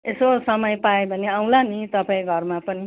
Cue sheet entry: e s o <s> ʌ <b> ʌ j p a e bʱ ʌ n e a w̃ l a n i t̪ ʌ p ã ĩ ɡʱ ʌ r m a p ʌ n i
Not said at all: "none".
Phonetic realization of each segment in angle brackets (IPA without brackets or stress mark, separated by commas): s, m